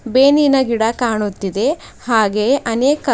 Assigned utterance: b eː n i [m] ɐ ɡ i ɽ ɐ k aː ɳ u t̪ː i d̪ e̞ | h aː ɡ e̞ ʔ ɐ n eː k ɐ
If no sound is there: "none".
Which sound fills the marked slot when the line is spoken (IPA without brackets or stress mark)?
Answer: n